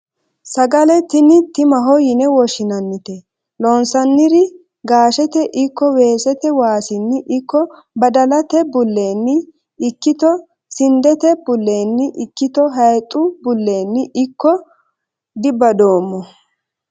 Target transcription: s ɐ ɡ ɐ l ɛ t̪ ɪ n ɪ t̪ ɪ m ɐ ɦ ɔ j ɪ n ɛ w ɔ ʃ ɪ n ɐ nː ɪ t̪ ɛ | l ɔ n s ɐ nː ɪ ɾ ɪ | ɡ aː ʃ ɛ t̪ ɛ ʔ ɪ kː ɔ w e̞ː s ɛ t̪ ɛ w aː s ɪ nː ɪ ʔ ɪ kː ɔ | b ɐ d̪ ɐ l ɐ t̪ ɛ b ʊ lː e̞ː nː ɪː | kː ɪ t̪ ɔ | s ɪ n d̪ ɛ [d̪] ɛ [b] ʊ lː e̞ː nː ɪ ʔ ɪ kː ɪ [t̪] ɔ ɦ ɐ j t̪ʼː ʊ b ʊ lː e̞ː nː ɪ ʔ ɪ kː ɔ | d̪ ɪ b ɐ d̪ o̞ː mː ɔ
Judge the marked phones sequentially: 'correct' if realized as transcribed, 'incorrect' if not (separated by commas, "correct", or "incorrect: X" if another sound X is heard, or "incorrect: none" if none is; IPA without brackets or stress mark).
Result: incorrect: t̪, correct, correct